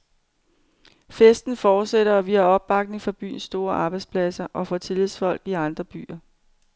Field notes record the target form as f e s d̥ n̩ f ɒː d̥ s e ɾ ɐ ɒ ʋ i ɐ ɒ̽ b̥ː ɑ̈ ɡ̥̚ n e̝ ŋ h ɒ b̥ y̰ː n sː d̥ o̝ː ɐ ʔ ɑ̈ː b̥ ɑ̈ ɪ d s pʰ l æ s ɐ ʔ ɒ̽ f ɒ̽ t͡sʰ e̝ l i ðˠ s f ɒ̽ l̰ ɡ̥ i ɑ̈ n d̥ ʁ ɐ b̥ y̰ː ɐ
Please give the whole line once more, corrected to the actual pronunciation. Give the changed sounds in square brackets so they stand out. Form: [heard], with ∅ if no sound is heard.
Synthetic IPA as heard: f e s d̥ n̩ f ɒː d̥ s e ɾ ɐ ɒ ʋ i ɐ ɒ̽ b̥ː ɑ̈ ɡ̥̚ n e̝ ŋ [f] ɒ b̥ y̰ː n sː d̥ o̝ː ɐ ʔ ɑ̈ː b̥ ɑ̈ ɪ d s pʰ l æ s ɐ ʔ ɒ̽ f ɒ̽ t͡sʰ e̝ l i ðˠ s f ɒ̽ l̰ ɡ̥ i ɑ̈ n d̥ ʁ ɐ b̥ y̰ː ɐ